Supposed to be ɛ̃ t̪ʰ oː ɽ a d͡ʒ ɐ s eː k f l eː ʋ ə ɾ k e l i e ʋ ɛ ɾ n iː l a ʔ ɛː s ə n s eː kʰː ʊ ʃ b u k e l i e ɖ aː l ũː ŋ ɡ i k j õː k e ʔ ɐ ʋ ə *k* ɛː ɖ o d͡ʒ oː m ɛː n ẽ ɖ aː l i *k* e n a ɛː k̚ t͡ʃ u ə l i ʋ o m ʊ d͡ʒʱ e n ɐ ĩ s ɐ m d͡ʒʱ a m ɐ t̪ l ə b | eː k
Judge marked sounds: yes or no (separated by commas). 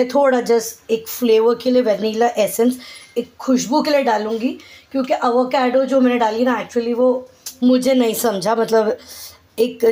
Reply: yes, no